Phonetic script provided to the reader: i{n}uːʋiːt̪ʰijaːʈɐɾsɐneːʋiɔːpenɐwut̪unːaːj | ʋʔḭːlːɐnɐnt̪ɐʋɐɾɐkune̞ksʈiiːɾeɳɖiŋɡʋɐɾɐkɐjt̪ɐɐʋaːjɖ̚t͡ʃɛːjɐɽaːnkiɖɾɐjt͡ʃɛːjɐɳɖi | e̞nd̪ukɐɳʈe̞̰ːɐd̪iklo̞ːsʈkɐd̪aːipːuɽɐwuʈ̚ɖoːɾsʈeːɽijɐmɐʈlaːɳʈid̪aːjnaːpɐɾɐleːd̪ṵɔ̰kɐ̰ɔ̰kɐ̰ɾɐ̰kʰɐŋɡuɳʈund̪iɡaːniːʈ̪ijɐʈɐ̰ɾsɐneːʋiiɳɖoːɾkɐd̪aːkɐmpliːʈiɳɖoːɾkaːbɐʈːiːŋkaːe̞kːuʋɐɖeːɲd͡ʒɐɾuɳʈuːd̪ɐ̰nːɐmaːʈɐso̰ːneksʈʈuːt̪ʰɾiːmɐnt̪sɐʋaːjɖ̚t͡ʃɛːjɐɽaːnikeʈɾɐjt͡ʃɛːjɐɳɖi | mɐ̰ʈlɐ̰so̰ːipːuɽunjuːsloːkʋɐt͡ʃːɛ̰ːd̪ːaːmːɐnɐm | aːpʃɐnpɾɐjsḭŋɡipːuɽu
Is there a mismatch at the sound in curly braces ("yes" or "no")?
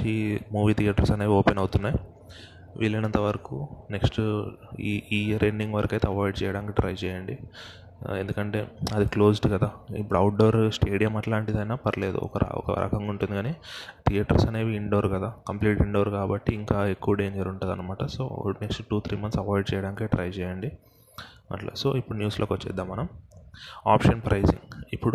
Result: yes